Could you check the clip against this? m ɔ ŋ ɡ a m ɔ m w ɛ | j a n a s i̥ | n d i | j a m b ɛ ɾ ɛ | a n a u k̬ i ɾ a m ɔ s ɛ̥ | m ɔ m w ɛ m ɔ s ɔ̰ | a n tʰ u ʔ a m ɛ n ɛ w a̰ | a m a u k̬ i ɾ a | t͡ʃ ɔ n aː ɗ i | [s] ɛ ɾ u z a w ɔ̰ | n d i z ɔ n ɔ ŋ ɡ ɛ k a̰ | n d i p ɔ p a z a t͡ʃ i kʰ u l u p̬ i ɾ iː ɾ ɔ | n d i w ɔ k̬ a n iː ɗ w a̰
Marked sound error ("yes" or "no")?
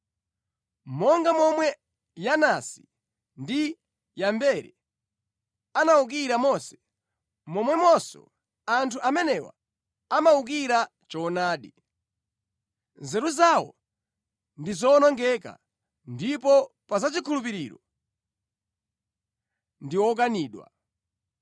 yes